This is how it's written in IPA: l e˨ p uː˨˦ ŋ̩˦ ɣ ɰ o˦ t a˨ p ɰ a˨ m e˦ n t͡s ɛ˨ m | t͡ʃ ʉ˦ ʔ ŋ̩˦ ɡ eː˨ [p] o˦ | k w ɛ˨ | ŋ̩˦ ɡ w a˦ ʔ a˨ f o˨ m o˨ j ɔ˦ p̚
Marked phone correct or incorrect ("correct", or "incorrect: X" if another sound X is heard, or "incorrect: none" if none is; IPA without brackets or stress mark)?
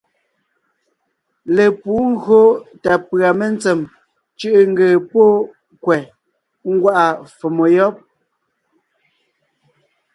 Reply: correct